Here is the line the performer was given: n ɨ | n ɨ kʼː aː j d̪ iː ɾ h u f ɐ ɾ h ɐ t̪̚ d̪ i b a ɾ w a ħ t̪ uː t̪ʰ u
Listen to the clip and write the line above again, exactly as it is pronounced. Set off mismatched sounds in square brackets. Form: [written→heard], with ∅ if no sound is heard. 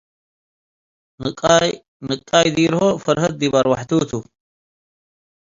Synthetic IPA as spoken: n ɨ | n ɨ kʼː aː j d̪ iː ɾ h [u→o] f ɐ ɾ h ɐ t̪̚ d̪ i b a ɾ w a ħ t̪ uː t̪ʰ u